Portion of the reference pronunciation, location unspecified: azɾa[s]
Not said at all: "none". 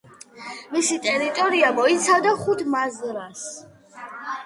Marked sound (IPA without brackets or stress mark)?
s